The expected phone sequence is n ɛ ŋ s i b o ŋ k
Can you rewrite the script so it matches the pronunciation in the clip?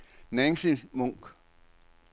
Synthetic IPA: n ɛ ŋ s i m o ŋ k